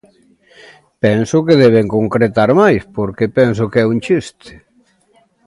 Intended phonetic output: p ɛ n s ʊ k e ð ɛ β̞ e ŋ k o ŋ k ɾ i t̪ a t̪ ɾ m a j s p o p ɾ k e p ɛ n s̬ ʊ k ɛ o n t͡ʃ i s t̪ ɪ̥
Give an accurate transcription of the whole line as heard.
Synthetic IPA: p ɛ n s ʊ k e ð ɛ β̞ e ŋ k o ŋ k ɾ e t̪ a ɾ m a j s p o ɾ k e p ɛ n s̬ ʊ k ɛ u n t͡ʃ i s t̪ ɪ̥

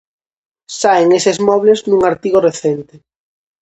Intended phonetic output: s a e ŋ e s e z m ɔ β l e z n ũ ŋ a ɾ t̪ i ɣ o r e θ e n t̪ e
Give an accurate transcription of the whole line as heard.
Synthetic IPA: s a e ŋ e s e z m ɔ β l e z n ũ ŋ a ɾ t̪ i ɣ o r e θ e n t̪ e

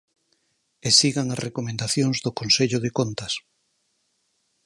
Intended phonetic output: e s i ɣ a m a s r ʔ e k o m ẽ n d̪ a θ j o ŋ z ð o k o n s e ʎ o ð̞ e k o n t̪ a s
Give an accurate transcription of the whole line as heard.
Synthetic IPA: e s i ɣ a ŋ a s r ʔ e k o m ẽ n d̪ a θ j o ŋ z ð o k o n s e ʎ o ð̞ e k o n t̪ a s

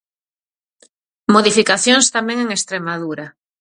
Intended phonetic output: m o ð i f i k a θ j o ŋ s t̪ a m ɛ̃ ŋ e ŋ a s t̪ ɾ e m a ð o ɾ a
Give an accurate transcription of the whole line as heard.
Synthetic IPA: m o ð i f i k a θ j o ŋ s t̪ a m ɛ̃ ŋ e ŋ e s t̪ ɾ e m a ð u ɾ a

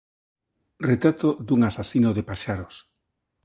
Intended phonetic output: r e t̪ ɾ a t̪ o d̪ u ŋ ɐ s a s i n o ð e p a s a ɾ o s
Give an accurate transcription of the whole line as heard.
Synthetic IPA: r e t̪ ɾ a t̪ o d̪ u ŋ a s a s i n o ð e p a ʃ a ɾ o s

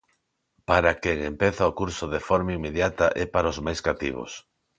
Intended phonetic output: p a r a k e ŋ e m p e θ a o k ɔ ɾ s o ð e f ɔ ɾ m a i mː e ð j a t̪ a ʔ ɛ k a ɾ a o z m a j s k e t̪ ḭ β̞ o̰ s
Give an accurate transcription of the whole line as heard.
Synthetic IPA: p a ɾ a k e ŋ e m p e θ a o k u ɾ s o ð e f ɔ ɾ m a i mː e ð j a t̪ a ʔ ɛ p a ɾ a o z m a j s k a t̪ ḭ β̞ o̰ s

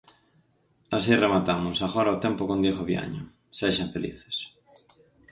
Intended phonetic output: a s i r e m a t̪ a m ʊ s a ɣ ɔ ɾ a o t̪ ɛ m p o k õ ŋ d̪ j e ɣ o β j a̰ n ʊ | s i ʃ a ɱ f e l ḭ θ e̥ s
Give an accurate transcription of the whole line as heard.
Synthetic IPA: a s i r e m a t̪ a m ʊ s a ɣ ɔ ɾ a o t̪ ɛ m p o k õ n d̪ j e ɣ o β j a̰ ɲ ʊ | s e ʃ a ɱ f e l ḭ θ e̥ s

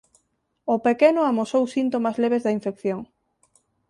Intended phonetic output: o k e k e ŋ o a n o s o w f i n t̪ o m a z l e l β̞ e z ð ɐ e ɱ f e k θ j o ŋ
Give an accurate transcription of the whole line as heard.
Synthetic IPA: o p e k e n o a m o s o w s i n t̪ o m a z l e β̞ e z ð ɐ i ɱ f e k θ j o ŋ

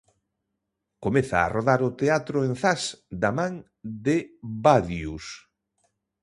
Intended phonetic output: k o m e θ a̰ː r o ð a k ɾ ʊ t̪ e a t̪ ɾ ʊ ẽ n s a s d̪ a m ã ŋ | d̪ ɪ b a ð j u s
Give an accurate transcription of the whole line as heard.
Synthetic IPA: k o m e θ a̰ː r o ð a ɾ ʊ t̪ e a t̪ ɾ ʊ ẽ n θ a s d̪ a m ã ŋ | d̪ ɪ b a ð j u s

